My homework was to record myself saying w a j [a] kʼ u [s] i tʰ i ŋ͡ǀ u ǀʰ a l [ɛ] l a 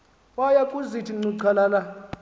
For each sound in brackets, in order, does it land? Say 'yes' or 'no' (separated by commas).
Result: yes, no, no